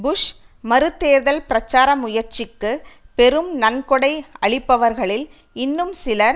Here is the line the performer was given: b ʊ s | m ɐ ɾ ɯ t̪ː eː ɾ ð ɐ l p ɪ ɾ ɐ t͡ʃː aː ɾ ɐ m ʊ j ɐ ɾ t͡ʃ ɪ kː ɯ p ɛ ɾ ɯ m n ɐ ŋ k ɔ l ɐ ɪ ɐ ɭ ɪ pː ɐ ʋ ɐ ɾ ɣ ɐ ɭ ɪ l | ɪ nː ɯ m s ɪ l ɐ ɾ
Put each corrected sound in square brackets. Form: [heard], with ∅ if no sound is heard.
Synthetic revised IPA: b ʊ [ʂ] | m ɐ ɾ ɯ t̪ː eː ɾ ð ɐ l p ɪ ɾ ɐ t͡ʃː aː ɾ ɐ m ʊ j ɐ ɾ t͡ʃ ɪ kː ɯ p ɛ ɾ ɯ m n ɐ [n] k ɔ [ɽ] ɐ ɪ ɐ ɭ ɪ pː ɐ ʋ ɐ ɾ ɣ ɐ ɭ ɪ l | ɪ nː ɯ m s ɪ l ɐ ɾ